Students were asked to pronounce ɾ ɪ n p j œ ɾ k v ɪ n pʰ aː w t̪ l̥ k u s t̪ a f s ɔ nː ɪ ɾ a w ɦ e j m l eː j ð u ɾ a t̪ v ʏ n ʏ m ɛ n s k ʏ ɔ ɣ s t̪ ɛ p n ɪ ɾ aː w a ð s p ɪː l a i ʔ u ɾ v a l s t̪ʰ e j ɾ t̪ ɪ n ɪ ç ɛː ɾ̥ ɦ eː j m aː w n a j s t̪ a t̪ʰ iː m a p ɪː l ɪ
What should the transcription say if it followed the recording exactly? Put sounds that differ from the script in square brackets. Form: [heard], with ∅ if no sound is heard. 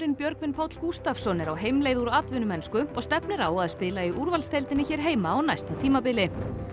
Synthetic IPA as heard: ɾ ɪ n p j œ ɾ k v ɪ n pʰ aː w t̪ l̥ k u s t̪ a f s ɔ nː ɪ ɾ a w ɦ e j m l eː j ð u ɾ a t̪ v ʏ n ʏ m ɛ n s k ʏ ɔ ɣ s t̪ ɛ p n ɪ ɾ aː w a ð s p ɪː l a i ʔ u ɾ v a l s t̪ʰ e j [l] t̪ ɪ n ɪ ç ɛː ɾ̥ ɦ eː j m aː w n a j s t̪ a t̪ʰ iː m a p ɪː l ɪ

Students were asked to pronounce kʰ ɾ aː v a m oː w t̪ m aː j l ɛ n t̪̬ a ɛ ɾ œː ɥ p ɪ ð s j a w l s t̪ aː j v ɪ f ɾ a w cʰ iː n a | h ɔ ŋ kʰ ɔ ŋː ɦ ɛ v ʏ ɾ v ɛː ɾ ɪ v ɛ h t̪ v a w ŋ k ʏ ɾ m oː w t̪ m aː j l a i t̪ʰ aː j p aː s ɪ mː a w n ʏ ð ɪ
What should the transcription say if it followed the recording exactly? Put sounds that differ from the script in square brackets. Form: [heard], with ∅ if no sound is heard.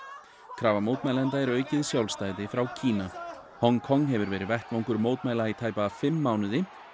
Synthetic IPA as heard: kʰ ɾ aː v a m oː w t̪ m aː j l ɛ n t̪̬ a ɛ ɾ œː ɥ [c] ɪ ð s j a w l s t̪ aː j [ð] ɪ f ɾ a w cʰ iː n a | h ɔ ŋ kʰ ɔ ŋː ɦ ɛ v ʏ ɾ v ɛː ɾ ɪ v ɛ h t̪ v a w ŋ k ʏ ɾ m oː w t̪ m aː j l a i t̪ʰ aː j p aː [f] ɪ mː a w n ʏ ð ɪ

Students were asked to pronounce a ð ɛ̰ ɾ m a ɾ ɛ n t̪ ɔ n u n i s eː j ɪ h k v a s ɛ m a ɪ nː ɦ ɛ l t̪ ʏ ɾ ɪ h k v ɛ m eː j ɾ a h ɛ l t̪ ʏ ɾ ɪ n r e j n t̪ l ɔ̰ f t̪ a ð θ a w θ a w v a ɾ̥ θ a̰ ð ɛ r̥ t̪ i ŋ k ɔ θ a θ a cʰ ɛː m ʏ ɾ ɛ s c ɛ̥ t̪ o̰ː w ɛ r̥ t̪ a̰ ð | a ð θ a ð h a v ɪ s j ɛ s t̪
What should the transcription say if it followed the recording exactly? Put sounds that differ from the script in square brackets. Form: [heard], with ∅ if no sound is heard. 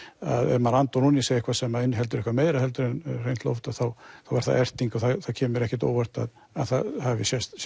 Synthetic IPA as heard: a ð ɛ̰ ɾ m a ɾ [a] n t̪ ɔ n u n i s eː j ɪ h k v a s ɛ m a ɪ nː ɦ ɛ l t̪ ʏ ɾ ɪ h k v [a] m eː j ɾ a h ɛ l t̪ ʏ ɾ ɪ n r e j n t̪ l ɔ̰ f t̪ a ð θ a w θ a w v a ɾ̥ θ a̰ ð ɛ r̥ t̪ i ŋ k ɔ θ a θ a cʰ ɛː m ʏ ɾ ɛ [h] c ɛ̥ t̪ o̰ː w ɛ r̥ t̪ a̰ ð | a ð θ a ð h a v ɪ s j ɛ s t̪

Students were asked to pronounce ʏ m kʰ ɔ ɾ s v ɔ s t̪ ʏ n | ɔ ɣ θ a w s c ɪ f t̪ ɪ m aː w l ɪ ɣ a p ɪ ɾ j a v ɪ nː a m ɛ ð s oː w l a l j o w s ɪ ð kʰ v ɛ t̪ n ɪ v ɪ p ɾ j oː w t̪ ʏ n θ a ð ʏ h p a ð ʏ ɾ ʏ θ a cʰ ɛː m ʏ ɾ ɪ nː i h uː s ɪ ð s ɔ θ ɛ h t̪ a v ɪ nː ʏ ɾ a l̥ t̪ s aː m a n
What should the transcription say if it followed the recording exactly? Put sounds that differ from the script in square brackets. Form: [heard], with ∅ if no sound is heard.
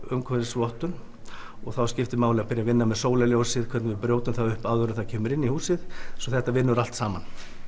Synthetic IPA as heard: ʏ m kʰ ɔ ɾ s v ɔ [h] t̪ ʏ n | ɔ ɣ θ a w s c ɪ f t̪ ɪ m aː w l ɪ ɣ a p ɪ ɾ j a v ɪ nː a m ɛ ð s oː w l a l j o w s ɪ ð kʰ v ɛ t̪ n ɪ v ɪ p ɾ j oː w t̪ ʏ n θ a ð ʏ h p a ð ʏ ɾ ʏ θ a cʰ ɛː m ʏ ɾ ɪ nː i h uː s ɪ ð s ɔ θ ɛ h t̪ a v ɪ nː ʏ ɾ a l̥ t̪ s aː m a n

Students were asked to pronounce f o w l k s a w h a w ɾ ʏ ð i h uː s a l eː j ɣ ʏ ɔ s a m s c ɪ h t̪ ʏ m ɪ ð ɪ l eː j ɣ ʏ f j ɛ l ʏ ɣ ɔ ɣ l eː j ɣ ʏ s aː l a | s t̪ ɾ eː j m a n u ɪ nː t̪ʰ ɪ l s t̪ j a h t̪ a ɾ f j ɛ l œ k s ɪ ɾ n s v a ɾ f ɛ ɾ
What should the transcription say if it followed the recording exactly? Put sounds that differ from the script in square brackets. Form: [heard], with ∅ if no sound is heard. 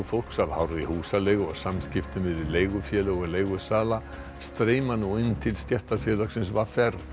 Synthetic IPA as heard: f o w l k s a [v] h a w ɾ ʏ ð i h uː s a l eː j ɣ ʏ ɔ s a m s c ɪ [f] t̪ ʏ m ɪ ð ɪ l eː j ɣ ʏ f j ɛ l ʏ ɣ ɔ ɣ l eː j ɣ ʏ s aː l a | s t̪ ɾ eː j m a n u ɪ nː t̪ʰ ɪ l s t̪ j [ɛ] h t̪ a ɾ f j ɛ l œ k s ɪ [∅] n s v a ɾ f ɛ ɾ

